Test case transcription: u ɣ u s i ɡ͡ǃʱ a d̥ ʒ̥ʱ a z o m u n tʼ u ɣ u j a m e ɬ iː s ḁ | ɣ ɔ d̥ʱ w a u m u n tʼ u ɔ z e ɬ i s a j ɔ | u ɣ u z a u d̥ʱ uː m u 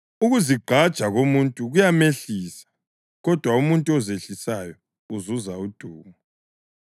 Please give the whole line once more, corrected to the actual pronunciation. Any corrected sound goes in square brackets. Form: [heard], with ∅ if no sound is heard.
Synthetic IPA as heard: u ɣ u [z] i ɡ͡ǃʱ a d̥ ʒ̥ʱ a [ɣ] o m u n tʼ u ɣ u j a m e ɬ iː s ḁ | ɣ ɔ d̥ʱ w a u m u n tʼ u ɔ z e ɬ i s a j ɔ | u [z] u z a u d̥ʱ uː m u